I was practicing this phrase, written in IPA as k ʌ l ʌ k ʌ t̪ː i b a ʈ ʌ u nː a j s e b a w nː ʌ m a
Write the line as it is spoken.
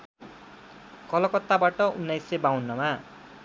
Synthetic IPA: k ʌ l ʌ k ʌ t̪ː a b a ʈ ʌ u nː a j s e b a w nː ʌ m a